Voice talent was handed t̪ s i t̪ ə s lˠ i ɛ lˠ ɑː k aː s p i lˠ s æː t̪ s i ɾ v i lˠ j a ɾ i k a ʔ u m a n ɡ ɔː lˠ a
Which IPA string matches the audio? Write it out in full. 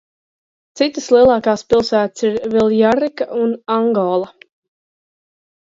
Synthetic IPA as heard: t̪ s i t̪ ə s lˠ i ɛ lˠ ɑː k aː s p i lˠ s æː t̪ s i ɾ v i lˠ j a ɾ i k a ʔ u n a ŋ ɡ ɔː lˠ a